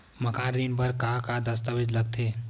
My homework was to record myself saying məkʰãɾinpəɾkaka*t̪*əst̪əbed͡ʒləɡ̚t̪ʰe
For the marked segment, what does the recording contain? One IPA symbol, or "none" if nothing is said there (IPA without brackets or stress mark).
d̪